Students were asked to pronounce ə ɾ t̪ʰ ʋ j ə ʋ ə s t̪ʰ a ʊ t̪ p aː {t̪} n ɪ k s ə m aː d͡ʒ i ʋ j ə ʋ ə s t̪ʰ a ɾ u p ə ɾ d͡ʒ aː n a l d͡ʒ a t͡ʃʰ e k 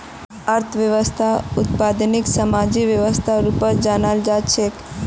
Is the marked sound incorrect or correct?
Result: incorrect